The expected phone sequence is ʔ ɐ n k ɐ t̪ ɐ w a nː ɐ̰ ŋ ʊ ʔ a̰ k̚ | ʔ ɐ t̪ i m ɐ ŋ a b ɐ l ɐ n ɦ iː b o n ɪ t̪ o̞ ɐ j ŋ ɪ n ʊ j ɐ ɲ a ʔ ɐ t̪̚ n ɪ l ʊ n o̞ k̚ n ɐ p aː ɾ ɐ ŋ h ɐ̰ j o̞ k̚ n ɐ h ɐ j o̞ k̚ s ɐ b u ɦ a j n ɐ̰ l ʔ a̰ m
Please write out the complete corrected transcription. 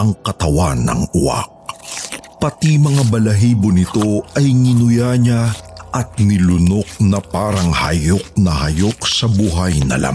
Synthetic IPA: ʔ ɐ ŋ k ɐ t̪ ɐ w a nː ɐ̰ ŋ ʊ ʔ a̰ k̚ | p ɐ t̪ i m ɐ ŋ a b ɐ l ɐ ɦ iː b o n ɪ t̪ o̞ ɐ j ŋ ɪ n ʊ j a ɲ a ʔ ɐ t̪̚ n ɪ l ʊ n o̞ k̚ n ɐ p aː ɾ ɐ ŋ h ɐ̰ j o̞ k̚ n ɐ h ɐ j o̞ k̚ s ɐ b u ɦ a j n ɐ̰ l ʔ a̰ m